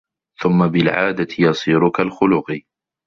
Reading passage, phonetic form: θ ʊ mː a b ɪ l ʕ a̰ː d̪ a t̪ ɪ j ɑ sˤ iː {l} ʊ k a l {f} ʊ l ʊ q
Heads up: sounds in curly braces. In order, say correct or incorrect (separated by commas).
incorrect, incorrect